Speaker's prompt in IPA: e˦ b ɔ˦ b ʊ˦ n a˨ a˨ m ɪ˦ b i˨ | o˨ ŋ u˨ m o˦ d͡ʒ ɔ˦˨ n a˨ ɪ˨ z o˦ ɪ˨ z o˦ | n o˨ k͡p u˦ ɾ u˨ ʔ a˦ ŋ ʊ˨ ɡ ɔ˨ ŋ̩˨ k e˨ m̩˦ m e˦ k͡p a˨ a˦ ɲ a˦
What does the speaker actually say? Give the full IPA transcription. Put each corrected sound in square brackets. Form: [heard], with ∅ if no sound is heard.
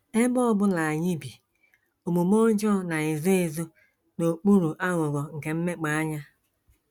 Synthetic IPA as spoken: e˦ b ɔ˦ b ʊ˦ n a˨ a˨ [ɲ] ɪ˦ b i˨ | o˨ [m] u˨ m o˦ d͡ʒ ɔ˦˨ n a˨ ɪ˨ z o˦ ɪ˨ z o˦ | n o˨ k͡p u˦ ɾ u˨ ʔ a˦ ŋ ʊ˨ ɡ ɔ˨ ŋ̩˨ k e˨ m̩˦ m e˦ k͡p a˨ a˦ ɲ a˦